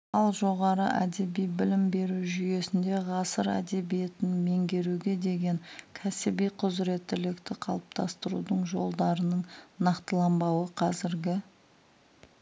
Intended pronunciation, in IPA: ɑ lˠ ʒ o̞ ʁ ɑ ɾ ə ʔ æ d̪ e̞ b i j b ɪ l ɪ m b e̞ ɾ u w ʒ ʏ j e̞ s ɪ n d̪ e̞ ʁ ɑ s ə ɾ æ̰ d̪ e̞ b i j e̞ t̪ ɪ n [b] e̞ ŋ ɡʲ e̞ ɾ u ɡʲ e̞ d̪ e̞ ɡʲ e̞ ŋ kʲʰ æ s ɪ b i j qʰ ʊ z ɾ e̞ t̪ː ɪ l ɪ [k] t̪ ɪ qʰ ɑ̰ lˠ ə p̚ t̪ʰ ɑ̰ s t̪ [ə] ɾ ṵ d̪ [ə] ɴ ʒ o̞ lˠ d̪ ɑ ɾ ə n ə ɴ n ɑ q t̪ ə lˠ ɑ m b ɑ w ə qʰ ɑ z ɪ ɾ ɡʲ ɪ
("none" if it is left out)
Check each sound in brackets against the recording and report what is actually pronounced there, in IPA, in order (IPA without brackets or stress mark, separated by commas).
m, k, ə, ə